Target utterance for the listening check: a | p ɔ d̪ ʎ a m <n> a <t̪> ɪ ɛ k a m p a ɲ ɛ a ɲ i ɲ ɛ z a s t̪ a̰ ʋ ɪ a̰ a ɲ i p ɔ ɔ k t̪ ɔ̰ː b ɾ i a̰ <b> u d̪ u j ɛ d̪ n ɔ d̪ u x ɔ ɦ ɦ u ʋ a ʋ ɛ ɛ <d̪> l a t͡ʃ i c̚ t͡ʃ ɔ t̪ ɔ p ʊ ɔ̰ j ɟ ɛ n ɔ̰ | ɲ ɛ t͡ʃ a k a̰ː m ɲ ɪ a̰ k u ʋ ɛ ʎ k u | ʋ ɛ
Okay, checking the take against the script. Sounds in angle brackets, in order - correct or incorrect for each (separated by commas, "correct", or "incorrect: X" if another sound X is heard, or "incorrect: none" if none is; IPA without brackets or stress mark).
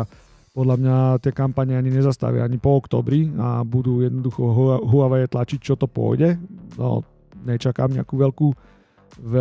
incorrect: ɲ, correct, correct, incorrect: t̪